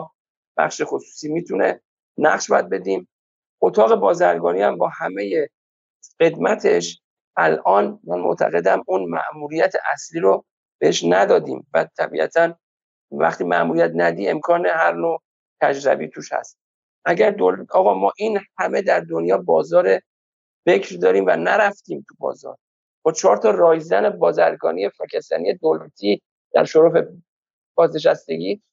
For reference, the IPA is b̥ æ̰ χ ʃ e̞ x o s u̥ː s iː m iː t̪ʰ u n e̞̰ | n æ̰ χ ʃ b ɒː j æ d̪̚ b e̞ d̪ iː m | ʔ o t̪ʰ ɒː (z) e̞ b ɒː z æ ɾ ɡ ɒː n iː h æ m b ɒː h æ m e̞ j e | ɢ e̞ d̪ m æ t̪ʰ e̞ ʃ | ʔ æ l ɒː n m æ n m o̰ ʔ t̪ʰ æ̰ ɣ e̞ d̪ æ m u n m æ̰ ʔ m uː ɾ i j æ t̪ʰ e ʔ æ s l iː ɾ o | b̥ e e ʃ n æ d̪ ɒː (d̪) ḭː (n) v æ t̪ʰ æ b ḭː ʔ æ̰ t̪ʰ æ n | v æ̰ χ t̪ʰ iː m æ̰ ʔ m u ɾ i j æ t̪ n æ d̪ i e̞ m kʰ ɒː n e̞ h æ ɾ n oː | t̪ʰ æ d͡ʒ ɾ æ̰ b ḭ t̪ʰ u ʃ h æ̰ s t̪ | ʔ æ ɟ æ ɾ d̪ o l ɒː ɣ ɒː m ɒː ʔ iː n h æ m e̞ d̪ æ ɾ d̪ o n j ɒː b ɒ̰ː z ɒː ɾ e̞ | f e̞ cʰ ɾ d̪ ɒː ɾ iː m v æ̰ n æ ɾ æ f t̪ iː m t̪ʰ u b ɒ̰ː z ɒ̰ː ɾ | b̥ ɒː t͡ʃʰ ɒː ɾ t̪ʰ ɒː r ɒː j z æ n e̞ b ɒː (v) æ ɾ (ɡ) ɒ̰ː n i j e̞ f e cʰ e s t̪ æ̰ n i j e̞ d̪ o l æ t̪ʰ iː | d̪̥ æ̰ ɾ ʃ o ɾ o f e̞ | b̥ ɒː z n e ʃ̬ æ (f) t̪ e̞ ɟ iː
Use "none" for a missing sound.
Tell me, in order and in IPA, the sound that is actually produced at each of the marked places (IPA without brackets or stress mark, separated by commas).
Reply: ɣ, d̪, m, z, ɡ, s